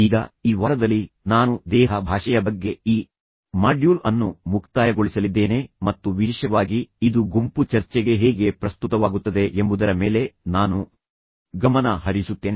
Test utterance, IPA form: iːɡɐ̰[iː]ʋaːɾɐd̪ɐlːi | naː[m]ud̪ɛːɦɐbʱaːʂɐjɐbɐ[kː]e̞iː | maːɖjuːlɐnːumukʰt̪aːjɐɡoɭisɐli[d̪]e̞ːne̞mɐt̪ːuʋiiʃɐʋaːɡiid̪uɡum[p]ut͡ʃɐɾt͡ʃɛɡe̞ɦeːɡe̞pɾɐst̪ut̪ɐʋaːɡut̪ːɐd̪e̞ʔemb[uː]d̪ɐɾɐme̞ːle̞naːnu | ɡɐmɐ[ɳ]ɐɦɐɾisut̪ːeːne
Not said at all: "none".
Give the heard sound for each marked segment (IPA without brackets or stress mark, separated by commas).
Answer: iː, n, ɡː, d̪ː, p, u, n